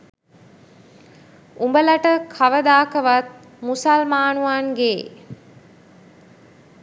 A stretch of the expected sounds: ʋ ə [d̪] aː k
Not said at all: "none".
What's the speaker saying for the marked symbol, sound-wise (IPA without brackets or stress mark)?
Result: d̪